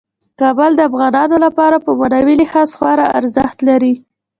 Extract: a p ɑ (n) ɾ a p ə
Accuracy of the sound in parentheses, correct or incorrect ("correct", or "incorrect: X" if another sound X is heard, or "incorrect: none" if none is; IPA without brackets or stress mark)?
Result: incorrect: none